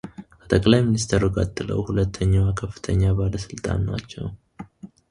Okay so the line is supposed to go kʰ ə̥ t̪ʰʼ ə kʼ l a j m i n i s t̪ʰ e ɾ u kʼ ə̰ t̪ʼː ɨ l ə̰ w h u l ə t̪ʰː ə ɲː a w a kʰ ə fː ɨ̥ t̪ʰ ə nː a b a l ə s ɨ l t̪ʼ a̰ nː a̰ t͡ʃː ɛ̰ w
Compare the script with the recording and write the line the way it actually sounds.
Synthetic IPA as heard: kʰ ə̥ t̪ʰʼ ə kʼ l a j m i n i s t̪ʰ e ɾ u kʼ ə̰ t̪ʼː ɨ l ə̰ w h u l ə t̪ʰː ə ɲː a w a kʰ ə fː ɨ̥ t̪ʰ ə ɲː a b a l ə s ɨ l t̪ʼ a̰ nː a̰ t͡ʃː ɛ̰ w